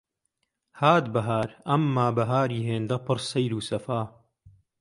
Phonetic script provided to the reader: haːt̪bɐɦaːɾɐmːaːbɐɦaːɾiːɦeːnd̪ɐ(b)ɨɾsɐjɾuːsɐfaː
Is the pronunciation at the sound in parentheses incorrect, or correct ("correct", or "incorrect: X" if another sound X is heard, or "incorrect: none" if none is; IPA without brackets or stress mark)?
incorrect: p